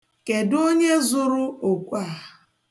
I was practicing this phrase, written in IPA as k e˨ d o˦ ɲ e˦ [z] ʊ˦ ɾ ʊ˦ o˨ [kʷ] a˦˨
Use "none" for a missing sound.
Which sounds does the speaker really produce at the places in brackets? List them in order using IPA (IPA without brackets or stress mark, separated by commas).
z, kʷ